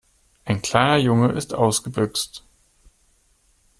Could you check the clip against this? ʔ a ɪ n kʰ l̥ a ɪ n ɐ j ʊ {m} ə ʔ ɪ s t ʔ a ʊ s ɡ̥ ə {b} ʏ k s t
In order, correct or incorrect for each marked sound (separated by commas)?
incorrect, correct